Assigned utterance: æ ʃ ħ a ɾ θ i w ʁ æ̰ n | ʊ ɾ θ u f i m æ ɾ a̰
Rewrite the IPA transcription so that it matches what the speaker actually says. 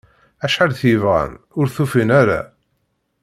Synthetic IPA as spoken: æ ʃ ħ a l θ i v ʁ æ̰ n | ʊ ɾ θ u f i n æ ɾ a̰